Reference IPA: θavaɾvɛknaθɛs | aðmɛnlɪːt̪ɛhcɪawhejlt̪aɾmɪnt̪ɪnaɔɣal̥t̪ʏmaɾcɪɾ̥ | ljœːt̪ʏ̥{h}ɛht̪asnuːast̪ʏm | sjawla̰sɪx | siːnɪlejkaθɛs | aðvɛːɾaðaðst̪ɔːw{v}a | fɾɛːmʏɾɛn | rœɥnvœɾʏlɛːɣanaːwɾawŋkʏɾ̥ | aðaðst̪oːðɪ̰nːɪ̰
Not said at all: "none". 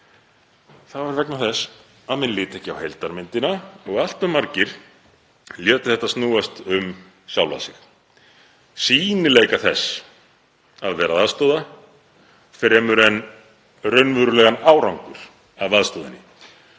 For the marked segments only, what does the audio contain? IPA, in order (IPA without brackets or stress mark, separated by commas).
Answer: θ, ð